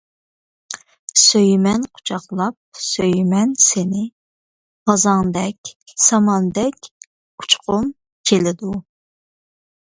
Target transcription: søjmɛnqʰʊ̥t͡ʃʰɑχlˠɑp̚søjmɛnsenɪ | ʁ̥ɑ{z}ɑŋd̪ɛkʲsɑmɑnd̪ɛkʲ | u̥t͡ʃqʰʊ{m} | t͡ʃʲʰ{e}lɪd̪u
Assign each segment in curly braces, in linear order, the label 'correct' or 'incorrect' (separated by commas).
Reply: correct, correct, correct